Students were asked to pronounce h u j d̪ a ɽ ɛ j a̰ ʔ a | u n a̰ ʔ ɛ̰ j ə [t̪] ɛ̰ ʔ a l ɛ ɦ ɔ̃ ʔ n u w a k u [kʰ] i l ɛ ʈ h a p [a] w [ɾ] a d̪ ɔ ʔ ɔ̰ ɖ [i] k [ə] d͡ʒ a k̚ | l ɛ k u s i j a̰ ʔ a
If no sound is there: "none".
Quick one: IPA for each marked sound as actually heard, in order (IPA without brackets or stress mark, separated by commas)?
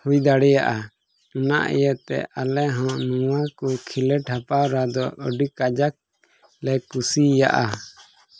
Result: t̪, kʰ, a, ɾ, i, a